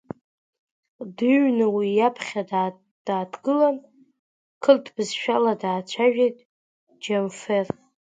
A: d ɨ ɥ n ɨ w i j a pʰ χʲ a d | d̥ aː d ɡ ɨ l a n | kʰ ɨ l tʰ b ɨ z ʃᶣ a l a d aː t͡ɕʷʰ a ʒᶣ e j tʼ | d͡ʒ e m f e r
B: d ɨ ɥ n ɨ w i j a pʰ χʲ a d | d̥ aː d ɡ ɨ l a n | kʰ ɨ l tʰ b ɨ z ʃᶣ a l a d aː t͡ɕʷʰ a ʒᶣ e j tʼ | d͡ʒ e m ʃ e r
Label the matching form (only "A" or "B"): A